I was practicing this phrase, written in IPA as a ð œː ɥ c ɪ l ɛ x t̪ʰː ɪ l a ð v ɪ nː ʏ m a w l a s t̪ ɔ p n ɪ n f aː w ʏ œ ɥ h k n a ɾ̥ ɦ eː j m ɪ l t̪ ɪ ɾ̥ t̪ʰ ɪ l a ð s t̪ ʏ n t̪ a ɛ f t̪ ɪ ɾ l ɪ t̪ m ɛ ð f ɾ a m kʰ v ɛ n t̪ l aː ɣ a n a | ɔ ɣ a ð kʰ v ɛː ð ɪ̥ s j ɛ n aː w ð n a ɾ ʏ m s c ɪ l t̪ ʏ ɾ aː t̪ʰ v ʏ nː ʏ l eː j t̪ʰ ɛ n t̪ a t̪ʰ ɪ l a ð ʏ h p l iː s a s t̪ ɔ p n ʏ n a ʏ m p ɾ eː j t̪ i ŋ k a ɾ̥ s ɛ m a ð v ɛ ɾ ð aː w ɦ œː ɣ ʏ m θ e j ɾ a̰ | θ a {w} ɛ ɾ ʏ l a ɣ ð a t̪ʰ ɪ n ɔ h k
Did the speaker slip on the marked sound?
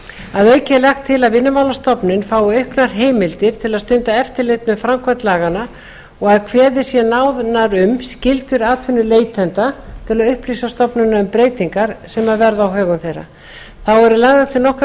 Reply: no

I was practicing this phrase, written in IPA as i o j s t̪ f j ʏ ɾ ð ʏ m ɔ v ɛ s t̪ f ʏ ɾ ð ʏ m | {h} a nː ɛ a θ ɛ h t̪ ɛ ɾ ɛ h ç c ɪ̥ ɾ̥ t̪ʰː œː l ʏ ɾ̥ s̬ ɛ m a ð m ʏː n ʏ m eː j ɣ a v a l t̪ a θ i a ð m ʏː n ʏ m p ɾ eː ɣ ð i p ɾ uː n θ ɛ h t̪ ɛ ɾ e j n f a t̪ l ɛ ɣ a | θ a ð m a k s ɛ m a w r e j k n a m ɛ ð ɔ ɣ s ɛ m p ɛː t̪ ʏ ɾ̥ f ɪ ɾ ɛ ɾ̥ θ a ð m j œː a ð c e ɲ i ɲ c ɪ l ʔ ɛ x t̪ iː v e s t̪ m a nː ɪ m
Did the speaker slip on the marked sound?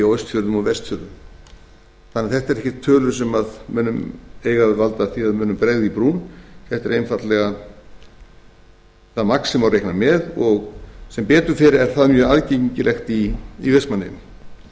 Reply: yes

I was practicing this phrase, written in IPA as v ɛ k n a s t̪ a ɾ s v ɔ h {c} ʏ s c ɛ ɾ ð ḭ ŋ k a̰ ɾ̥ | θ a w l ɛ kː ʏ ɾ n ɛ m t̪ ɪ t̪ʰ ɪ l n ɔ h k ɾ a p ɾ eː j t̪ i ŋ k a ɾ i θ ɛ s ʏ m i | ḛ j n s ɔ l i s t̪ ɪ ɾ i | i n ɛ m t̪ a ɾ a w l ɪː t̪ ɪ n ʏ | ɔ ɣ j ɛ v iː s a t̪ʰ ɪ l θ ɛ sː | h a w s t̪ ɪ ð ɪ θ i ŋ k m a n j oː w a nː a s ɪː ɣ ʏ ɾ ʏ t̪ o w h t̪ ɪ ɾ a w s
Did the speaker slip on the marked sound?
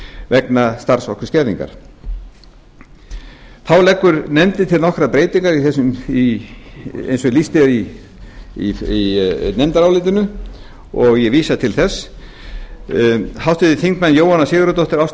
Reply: yes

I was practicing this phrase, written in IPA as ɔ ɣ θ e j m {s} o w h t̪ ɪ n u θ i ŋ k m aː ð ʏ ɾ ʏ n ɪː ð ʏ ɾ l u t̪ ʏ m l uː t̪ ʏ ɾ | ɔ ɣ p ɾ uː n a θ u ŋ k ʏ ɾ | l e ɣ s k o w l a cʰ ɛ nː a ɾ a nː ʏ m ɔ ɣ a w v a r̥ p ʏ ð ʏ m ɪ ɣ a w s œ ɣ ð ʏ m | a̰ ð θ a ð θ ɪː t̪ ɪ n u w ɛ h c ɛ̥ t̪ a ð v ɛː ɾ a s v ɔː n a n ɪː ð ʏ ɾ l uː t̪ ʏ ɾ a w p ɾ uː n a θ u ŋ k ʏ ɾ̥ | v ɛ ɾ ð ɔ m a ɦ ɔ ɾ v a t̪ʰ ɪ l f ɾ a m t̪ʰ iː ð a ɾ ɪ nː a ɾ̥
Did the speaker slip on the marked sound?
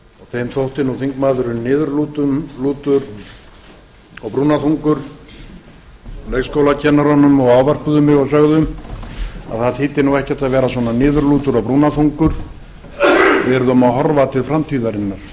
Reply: yes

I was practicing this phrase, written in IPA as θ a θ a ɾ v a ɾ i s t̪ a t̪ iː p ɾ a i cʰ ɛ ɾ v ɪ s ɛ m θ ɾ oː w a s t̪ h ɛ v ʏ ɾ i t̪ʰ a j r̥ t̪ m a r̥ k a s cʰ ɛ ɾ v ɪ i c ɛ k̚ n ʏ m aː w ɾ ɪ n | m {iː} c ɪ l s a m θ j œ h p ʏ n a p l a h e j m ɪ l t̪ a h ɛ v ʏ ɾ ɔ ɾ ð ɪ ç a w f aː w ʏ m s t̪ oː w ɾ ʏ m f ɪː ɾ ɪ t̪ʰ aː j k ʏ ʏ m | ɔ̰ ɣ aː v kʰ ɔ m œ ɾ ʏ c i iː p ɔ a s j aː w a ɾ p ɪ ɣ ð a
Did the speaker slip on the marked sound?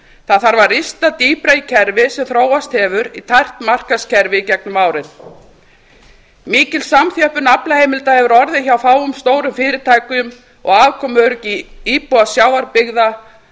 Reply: no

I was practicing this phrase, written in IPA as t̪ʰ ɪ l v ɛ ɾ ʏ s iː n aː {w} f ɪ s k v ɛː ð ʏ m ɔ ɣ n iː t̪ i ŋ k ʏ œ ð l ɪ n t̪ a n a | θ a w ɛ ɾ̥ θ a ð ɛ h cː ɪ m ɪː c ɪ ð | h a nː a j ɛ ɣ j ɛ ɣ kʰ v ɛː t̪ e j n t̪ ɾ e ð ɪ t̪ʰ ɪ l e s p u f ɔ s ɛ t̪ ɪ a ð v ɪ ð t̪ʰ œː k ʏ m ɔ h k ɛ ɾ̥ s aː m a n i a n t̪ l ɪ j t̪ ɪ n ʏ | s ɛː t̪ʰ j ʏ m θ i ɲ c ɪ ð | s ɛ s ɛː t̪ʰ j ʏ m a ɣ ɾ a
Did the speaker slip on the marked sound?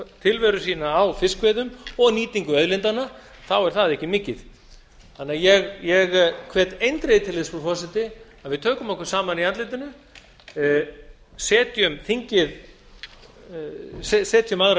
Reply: no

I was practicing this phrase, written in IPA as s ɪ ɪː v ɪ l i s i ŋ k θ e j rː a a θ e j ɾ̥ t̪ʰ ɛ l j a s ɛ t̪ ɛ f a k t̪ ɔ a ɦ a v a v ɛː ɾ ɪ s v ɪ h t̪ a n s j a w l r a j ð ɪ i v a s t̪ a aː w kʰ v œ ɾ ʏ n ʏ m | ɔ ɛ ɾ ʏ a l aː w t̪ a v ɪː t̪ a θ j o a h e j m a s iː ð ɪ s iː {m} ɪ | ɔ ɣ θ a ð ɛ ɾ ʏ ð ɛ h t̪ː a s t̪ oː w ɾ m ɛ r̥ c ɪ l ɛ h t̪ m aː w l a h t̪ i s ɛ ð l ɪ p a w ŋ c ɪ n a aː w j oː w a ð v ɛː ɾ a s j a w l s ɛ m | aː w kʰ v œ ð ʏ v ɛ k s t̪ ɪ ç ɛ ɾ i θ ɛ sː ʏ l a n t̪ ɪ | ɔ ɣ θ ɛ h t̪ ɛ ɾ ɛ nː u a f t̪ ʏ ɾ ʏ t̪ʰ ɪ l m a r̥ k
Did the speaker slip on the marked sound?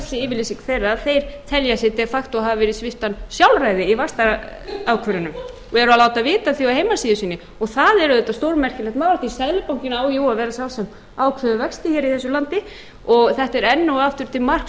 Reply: yes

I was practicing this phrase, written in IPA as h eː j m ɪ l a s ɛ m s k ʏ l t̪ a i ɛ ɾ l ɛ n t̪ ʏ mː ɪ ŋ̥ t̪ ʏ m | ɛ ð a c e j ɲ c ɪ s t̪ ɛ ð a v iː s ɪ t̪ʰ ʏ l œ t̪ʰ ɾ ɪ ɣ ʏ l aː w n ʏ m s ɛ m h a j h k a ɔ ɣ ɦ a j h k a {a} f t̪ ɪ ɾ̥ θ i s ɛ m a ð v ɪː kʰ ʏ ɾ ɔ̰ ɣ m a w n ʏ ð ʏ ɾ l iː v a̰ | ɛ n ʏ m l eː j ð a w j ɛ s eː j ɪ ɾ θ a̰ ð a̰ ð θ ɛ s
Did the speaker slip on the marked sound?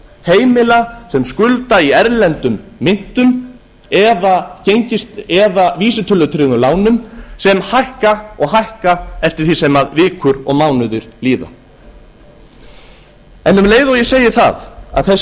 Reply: yes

